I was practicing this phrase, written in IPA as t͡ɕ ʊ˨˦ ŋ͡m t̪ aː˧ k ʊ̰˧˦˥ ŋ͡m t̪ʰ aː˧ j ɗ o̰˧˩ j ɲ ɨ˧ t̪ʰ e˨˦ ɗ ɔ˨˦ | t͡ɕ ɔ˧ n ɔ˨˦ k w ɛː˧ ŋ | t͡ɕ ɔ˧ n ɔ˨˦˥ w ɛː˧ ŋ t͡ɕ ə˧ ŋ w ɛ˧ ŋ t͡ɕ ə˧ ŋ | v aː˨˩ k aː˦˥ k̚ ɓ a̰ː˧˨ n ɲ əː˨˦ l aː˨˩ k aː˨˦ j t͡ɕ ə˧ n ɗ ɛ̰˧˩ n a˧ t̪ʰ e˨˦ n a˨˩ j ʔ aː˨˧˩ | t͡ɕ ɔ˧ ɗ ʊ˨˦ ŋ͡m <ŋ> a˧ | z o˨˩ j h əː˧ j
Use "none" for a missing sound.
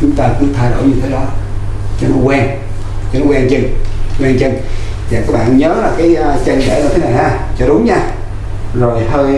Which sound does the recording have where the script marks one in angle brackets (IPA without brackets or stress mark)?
ɲ